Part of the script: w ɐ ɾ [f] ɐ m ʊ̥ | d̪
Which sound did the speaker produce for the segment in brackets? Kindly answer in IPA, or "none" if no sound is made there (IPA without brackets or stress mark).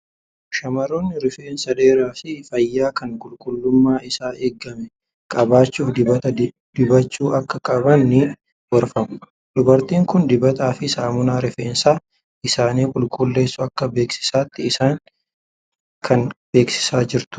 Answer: f